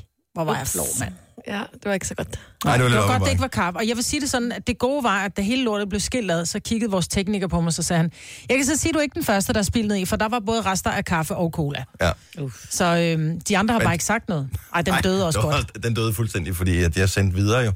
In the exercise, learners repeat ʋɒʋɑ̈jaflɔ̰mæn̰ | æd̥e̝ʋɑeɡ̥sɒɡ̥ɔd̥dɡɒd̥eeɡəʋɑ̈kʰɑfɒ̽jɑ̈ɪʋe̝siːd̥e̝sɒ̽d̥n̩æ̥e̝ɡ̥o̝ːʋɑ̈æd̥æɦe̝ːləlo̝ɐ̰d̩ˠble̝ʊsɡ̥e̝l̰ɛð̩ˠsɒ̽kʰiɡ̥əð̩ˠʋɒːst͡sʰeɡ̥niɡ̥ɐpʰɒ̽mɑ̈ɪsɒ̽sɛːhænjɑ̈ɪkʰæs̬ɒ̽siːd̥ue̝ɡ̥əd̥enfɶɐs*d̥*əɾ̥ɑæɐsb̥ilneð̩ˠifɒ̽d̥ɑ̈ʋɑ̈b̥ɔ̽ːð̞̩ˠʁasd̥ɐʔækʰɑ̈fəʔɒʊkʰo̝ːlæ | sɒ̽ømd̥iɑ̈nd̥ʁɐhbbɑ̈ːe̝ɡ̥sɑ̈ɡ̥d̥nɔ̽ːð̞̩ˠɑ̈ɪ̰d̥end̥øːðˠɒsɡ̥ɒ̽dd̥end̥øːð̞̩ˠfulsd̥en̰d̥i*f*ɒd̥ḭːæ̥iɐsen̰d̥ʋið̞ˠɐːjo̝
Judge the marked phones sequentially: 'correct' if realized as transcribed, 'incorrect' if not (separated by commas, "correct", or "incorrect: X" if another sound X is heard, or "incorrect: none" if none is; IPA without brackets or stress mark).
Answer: correct, correct